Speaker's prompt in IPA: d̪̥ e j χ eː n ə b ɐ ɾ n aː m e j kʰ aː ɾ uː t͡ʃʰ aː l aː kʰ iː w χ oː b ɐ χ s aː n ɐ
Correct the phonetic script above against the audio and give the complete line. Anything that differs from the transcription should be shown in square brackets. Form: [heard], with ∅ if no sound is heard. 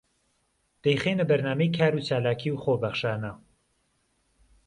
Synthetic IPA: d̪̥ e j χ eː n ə b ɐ ɾ n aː m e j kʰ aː ɾ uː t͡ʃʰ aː l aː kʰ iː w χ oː b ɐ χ [ʃ] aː n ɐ